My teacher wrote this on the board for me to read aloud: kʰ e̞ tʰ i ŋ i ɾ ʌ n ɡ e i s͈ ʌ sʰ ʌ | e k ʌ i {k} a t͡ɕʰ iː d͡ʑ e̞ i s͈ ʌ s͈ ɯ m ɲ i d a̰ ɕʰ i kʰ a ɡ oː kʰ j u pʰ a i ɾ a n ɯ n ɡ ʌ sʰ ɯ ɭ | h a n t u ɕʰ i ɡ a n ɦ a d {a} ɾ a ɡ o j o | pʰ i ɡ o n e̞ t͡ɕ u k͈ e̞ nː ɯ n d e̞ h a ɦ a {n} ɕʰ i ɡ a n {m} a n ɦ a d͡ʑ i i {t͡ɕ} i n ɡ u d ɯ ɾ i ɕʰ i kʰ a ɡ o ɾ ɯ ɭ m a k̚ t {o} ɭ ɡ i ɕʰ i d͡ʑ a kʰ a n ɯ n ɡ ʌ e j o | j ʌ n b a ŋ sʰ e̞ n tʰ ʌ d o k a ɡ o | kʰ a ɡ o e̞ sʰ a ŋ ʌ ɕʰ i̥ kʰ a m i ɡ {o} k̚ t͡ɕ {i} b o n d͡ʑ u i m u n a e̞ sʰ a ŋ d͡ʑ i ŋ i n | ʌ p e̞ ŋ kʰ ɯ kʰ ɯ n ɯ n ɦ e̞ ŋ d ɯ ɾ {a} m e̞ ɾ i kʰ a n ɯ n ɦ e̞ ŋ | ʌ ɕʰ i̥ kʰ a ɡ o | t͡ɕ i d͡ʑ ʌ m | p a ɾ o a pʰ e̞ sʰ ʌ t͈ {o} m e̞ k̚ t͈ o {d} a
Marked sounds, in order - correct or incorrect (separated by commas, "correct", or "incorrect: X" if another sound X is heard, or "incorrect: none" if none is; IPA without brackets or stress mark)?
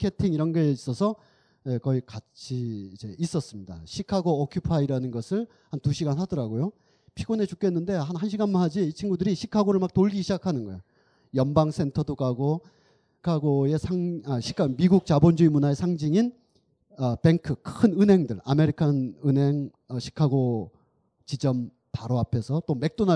correct, incorrect: ʌ, correct, correct, incorrect: t͡ɕʰ, correct, incorrect: u, incorrect: a, correct, correct, incorrect: n